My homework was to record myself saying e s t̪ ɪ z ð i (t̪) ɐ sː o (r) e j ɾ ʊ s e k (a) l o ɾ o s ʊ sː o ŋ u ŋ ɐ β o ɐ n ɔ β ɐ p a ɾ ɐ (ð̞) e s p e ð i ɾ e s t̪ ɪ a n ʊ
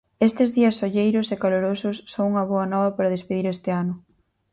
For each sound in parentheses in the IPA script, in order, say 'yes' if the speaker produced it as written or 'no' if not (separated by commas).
no, no, yes, yes